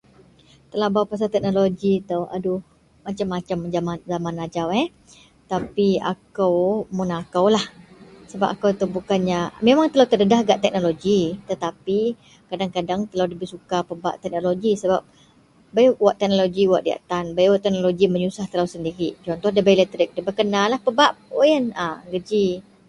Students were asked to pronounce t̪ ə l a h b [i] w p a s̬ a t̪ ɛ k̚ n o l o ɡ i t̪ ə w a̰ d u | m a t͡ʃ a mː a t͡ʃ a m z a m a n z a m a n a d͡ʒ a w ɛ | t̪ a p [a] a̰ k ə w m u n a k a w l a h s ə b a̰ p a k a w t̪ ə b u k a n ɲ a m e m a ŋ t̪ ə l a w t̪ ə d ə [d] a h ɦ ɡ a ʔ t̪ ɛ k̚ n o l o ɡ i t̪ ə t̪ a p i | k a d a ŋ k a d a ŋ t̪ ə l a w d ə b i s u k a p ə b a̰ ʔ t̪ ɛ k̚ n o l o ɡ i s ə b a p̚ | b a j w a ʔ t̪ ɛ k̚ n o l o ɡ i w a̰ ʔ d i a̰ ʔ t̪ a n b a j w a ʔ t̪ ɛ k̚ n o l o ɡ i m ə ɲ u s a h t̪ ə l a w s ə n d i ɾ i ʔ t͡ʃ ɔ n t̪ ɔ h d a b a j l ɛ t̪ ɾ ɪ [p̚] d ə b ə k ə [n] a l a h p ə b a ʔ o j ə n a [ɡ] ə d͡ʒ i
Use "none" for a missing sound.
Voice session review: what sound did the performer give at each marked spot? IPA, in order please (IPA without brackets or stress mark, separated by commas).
a, i, d, k̚, n, ɡ